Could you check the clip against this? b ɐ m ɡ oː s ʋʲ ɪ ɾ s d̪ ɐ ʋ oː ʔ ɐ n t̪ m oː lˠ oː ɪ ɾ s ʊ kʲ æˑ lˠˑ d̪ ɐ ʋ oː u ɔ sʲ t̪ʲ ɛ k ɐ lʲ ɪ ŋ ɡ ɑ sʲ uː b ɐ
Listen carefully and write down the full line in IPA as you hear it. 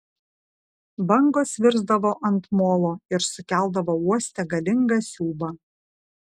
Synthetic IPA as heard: b ɐ ŋ ɡ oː s ʋʲ ɪ ɾ z d̪ ɐ ʋ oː ʔ ɐ n t̪ m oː lˠ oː ɪ ɾ s ʊ kʲ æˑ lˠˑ d̪ ɐ ʋ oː u ɔ sʲ t̪ʲ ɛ ɡ ɐ lʲ ɪ ŋ ɡ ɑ sʲ uː b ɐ

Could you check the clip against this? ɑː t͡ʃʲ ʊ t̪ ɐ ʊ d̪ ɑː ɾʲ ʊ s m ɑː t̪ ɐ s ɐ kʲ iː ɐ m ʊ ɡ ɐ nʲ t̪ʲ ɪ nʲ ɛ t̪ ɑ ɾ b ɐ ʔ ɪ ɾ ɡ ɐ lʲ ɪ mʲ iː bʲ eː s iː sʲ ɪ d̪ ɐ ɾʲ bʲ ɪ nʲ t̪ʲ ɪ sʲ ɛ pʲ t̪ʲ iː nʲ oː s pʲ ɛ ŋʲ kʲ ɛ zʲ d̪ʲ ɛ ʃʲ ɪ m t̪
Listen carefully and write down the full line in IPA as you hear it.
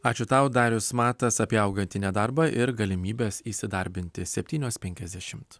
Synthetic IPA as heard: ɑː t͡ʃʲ ʊ t̪ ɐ ʊ d̪ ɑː ɾʲ ʊ s m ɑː t̪ ɐ s ɐ pʲ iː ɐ ʊ ɡ ɐ nʲ t̪ʲ ɪ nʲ ɛ d̪ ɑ ɾ b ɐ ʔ ɪ ɾ ɡ ɐ lʲ ɪ mʲ iː bʲ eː s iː sʲ ɪ d̪ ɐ ɾʲ bʲ ɪ nʲ t̪ʲ ɪ sʲ ɛ pʲ t̪ʲ iː nʲ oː s pʲ ɛ ŋʲ kʲ ɛ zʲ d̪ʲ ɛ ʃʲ ɪ m t̪

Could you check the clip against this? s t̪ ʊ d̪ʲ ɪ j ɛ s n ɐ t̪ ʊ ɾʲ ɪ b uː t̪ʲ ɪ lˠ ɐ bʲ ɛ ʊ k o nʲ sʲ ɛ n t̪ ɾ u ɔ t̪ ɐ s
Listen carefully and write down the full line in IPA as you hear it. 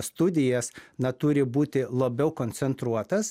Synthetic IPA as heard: s t̪ ʊ d̪ʲ ɪ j ɛ s n ɐ t̪ ʊ ɾʲ ɪ b uː t̪ʲ ɪ lˠ ɐ bʲ ɛ ʊ k o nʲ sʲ ɛ n t̪ ɾ u ɔ t̪ ɐ s

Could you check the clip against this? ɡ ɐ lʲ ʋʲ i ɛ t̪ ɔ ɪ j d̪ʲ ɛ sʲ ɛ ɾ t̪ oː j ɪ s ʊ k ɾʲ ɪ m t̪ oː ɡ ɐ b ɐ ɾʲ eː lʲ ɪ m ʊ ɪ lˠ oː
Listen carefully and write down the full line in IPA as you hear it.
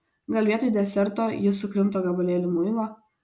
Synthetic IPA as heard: ɡ ɐ lʲ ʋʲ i ɛ t̪ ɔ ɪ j d̪ʲ ɛ sʲ ɛ ɾ t̪ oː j ɪ s ʊ k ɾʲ ɪ m t̪ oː ɡ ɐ b ɐ lʲ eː lʲ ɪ m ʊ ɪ lˠ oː

